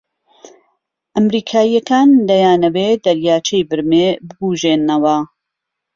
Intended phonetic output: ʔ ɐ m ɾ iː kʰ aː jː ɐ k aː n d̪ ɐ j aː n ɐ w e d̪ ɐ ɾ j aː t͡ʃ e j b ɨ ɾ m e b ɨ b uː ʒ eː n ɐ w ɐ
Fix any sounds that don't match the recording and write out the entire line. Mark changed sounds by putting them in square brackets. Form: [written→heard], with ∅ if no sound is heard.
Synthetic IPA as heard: ʔ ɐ m ɾ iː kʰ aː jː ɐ k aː n d̪ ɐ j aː n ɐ w e d̪ ɐ ɾ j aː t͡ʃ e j b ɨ ɾ m e b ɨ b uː ʒ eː n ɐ w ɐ